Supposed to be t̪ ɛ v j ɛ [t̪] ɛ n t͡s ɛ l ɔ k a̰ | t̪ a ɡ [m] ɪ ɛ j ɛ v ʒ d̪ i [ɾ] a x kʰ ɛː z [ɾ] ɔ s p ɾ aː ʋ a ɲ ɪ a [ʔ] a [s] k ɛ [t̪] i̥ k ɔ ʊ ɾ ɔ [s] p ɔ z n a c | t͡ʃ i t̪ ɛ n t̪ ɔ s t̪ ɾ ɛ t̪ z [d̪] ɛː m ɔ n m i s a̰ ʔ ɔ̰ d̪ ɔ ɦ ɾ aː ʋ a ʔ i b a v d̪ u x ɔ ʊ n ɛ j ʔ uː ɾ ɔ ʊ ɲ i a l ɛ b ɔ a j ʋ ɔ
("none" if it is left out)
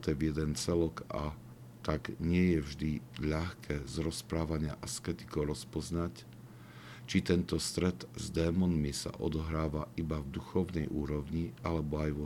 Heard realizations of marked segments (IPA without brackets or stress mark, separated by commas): d̪, ɲ, ʎ, ɾ, ʔ, s, t̪, s, d̪